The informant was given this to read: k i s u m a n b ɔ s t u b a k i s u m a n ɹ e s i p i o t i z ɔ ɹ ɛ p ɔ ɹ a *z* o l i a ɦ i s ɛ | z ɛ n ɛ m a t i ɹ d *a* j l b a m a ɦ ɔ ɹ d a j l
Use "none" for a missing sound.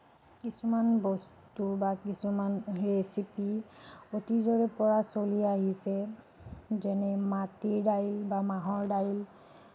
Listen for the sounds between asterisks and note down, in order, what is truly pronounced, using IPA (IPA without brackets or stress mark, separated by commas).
s, a